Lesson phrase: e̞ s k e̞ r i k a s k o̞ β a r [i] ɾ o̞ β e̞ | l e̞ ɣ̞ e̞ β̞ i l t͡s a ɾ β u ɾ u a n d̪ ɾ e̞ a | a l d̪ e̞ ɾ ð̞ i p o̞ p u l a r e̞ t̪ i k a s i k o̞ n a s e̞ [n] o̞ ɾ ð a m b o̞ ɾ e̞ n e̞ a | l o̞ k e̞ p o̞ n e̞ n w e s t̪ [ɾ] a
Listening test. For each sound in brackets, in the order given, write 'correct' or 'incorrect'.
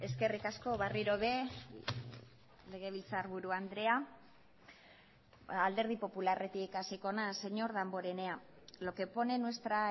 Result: correct, incorrect: ɲ, correct

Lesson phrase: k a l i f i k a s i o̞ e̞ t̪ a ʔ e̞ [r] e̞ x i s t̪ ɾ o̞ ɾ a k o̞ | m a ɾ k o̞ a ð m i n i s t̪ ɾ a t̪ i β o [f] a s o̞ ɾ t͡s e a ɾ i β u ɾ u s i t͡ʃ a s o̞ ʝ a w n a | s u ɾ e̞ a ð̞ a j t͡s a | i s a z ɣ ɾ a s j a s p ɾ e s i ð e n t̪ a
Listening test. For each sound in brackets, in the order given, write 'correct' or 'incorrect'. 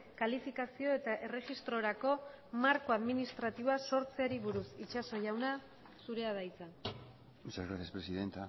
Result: correct, incorrect: none

